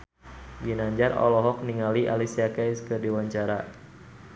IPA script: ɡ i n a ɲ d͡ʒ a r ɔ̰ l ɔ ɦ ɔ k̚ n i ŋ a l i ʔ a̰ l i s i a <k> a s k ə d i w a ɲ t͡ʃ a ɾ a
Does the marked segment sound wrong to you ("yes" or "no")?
no